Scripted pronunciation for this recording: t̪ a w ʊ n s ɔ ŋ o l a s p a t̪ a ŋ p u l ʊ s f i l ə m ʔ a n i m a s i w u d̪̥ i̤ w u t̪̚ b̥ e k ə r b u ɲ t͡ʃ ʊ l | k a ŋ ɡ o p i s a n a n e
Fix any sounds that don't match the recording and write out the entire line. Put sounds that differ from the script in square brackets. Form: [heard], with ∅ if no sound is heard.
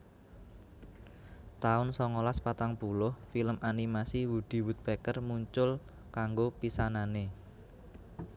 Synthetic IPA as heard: t̪ a [∅] ʊ n s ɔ ŋ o l a s p a t̪ a ŋ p u l ʊ [h] f i l ə m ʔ a n i m a s i w u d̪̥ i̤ w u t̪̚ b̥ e k ə r [m] u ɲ t͡ʃ ʊ l | k a ŋ ɡ o p i s a n a n e